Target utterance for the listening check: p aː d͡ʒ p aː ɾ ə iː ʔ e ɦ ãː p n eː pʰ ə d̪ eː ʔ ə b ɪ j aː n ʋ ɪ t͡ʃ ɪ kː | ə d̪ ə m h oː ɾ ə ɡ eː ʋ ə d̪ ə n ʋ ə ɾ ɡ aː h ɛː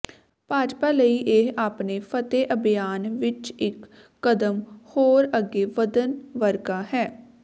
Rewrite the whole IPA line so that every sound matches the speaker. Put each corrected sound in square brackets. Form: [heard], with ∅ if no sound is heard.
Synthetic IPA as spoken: p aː d͡ʒ p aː [l] ə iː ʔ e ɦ [aː] p n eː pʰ ə [t̪] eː ʔ ə b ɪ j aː n ʋ ɪ t͡ʃ ɪ kː | ə d̪ ə m h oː ɾ ə ɡ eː ʋ ə d̪ ə n ʋ ə ɾ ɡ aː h ɛː